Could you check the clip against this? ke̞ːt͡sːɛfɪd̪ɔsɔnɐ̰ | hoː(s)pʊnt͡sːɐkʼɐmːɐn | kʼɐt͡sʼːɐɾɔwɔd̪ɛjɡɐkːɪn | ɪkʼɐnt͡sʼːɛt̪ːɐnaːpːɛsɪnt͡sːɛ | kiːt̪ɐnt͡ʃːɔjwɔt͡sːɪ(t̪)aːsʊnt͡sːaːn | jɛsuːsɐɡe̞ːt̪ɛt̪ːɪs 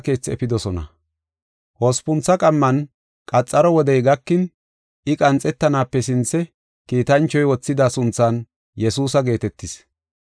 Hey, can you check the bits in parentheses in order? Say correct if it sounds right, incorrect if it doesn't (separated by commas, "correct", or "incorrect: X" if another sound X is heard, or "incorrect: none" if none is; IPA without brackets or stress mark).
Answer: correct, incorrect: d̪